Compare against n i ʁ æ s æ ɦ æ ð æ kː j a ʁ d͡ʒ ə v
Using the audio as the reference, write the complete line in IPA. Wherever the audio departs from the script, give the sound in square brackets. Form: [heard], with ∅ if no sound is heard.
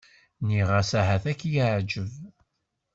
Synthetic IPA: n i ʁ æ s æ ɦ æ [θ] æ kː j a [ʕ] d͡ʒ ə v

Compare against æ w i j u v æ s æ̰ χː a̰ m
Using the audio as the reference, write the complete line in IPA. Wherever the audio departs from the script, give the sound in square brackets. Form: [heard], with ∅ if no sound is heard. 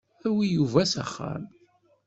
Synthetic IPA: æ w i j u v æ s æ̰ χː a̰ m

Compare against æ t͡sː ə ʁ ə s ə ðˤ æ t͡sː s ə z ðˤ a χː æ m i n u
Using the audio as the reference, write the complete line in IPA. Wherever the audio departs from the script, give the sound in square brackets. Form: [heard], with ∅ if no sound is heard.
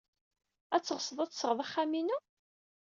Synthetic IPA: æ t͡sː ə ʁ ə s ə ðˤ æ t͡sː s ə [ʁ] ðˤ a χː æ m i n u

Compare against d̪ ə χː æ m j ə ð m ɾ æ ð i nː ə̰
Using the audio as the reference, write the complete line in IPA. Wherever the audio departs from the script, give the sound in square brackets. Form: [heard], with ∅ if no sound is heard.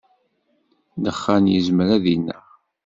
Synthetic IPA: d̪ ə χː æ [n] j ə [z] m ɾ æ ð i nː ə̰

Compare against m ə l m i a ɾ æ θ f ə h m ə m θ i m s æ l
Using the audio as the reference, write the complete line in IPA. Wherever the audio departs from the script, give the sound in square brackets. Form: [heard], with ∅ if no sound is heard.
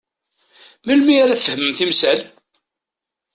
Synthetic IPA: m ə l m i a ɾ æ θ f ə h m ə m θ i m s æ l

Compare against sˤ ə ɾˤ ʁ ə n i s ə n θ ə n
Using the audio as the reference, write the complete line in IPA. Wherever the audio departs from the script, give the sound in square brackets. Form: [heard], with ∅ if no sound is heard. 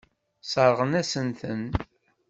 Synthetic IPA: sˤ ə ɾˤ ʁ ə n [æ] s ə n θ ə n

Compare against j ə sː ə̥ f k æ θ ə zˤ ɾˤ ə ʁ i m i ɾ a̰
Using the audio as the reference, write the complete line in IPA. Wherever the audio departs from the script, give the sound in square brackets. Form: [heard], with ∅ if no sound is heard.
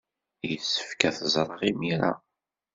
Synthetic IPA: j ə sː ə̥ f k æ θ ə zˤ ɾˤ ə ʁ i m i ɾ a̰

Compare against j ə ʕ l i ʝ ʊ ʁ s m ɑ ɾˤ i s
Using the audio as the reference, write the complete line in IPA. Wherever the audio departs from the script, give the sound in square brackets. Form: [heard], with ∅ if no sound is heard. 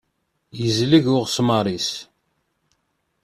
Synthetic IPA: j ə [z] l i ʝ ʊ ʁ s m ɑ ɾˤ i s

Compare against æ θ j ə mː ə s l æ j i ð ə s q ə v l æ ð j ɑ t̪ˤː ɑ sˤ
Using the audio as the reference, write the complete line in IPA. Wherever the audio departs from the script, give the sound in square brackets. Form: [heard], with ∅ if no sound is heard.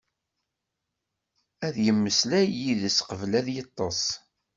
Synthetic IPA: æ [ð] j ə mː ə s l æ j i ð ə s q ə v l æ ð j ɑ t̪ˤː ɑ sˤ

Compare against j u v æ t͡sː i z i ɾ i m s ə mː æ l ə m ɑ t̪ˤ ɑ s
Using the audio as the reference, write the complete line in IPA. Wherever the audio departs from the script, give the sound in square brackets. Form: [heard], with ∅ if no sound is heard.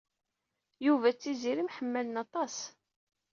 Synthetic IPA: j u v æ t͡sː i z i ɾ i m [ħ] ə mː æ l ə [n] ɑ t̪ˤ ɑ s

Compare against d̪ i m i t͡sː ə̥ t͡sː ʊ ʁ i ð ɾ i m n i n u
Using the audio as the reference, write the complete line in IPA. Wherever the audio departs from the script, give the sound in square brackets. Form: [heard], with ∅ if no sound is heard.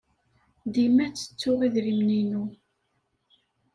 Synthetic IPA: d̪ i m [æ] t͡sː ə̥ t͡sː ʊ ʁ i ð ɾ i m n i n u

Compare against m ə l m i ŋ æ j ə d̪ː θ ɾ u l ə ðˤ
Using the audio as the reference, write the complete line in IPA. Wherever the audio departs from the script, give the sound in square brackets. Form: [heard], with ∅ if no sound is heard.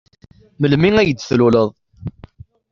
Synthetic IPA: m ə l m i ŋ æ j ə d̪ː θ [l] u l ə ðˤ

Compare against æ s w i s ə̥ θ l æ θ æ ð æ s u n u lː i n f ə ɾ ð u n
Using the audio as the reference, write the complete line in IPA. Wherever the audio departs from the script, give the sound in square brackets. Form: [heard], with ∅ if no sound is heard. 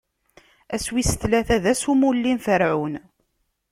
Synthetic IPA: æ s w i s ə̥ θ l æ θ æ ð æ s u [m] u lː i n f ə ɾ [ʕ] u n

